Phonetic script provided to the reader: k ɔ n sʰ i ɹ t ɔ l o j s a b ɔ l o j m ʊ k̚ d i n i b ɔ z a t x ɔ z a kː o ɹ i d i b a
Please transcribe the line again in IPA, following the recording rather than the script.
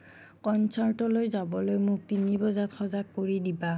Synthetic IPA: k ɔ n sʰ a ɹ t ɔ l o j z a b ɔ l o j m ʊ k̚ t i n i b ɔ z a t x ɔ z a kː o ɹ i d i b a